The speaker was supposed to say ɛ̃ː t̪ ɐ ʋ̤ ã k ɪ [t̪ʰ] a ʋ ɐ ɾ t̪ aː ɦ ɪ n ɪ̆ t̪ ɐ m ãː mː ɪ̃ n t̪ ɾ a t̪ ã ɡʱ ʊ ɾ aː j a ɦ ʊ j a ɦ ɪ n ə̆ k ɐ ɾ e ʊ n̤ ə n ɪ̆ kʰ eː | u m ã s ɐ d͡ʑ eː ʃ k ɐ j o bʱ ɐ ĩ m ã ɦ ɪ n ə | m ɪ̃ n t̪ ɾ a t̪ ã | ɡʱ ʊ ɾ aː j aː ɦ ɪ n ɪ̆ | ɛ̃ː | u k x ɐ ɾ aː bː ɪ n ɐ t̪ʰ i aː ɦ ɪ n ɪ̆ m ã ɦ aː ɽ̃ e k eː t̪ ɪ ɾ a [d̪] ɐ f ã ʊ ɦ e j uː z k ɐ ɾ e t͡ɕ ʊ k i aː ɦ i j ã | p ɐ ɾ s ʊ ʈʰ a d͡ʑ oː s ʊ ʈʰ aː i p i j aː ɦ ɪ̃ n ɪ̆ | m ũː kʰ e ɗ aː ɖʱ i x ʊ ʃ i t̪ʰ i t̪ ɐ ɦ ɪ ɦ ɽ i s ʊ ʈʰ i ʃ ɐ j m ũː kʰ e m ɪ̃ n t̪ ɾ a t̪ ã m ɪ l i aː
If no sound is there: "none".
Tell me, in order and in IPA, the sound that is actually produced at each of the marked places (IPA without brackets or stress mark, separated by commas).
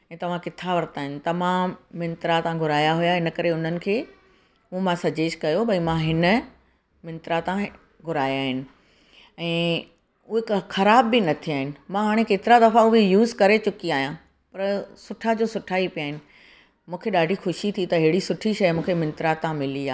t̪ʰ, d̪